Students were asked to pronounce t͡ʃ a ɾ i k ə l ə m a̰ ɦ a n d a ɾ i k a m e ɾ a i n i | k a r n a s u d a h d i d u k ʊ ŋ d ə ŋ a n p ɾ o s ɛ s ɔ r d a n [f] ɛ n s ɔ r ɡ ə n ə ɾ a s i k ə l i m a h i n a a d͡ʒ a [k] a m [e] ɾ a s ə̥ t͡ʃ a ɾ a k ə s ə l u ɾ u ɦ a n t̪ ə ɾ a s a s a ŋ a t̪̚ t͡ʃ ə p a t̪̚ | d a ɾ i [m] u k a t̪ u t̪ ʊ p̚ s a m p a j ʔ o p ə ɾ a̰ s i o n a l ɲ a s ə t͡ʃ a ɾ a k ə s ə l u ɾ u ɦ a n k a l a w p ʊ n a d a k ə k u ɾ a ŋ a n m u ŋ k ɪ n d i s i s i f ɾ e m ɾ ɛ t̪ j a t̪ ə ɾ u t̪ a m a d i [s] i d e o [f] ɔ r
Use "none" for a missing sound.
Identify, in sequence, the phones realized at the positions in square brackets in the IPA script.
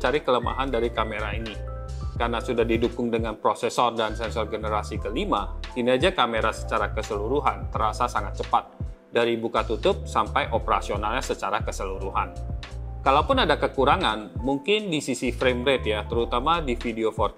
s, k, e, b, f, f

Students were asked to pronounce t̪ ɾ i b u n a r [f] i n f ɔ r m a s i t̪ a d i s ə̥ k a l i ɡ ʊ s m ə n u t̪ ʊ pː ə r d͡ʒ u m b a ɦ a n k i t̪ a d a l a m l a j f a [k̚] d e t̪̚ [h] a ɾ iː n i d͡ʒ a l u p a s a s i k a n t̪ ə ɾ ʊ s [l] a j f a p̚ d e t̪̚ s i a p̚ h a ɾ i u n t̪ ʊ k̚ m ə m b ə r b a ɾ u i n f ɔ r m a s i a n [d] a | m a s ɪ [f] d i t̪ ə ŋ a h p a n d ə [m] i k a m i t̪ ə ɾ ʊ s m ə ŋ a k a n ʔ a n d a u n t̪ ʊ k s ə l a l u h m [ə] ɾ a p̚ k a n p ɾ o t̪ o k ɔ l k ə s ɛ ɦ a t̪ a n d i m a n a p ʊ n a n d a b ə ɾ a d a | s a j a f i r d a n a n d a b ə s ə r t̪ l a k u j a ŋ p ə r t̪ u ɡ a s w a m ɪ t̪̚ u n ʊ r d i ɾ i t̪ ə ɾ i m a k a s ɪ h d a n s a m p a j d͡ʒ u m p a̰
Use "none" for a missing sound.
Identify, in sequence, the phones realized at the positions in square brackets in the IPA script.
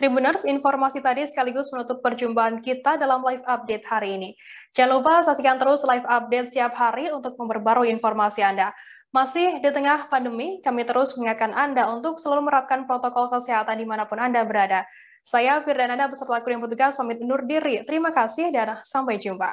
s, p̚, h, l, d, h, m, ə

